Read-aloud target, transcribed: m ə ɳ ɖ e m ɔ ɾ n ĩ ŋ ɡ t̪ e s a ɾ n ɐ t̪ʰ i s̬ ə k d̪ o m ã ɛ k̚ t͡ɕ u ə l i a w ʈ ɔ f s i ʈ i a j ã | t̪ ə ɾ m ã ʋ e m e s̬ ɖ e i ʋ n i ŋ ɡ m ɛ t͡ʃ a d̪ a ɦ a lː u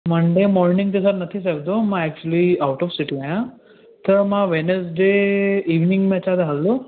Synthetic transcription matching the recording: m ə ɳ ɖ e m ɔ ɾ n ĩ ŋ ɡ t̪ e s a ɾ n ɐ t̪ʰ i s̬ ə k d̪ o m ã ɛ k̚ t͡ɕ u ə l i a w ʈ ɔ f s i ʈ i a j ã | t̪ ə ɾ m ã ʋ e n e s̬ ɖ e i ʋ n i ŋ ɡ m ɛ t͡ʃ a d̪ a ɦ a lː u